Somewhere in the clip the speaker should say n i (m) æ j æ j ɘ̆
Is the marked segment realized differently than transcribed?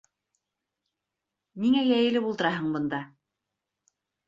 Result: yes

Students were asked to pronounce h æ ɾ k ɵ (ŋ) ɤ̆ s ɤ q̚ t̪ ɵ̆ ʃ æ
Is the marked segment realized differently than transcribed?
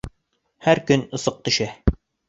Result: yes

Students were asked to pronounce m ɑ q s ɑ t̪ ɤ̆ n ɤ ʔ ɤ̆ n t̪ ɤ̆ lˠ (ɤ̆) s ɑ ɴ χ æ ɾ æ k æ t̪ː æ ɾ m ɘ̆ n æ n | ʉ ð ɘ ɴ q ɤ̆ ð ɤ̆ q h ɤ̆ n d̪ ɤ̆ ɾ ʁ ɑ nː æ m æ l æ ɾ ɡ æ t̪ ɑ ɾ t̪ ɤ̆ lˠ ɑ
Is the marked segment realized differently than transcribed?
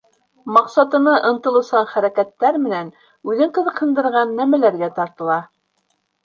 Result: no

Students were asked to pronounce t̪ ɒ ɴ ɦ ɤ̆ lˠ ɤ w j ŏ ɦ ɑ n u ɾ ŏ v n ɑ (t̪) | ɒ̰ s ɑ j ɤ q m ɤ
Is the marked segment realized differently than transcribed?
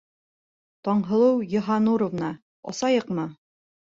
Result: yes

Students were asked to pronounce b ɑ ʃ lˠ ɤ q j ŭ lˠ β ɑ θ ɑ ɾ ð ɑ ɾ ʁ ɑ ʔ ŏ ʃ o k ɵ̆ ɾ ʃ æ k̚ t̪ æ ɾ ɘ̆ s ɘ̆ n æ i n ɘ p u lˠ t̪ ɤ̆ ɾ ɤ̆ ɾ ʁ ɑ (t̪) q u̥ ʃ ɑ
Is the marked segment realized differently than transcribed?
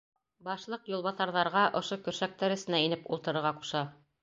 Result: yes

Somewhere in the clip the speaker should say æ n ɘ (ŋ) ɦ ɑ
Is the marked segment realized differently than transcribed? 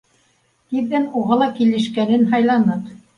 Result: yes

